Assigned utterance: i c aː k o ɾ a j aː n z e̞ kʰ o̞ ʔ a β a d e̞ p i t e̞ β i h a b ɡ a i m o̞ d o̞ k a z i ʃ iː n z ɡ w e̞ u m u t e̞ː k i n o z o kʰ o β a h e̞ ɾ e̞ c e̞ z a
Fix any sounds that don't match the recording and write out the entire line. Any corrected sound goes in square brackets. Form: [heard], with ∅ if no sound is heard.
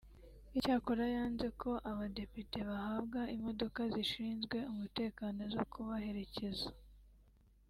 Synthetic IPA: i c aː k o ɾ a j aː n z e̞ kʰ o̞ ʔ a β a d e̞ p i t e̞ β [a] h a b ɡ a i m o̞ d o̞ k a z i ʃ iː n z ɡ w e̞ u m u t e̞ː k [a] n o z o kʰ [u] β a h e̞ ɾ e̞ c e̞ z a